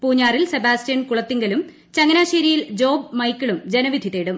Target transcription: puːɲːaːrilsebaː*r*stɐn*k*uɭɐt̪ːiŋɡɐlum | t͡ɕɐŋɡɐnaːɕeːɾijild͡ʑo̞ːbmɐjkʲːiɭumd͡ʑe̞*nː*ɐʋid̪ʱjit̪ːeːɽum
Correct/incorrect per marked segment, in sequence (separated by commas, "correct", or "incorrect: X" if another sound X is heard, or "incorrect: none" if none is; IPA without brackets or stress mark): incorrect: none, correct, incorrect: n